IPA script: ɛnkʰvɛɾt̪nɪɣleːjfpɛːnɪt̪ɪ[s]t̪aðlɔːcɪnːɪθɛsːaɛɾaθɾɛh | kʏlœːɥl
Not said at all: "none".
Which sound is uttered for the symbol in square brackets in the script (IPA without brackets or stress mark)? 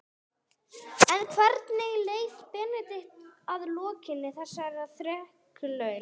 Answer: h